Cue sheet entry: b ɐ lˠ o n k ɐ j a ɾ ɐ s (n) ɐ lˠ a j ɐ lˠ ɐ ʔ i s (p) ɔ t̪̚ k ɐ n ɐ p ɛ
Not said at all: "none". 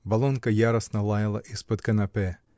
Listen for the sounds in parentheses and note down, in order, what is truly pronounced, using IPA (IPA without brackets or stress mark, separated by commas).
n, p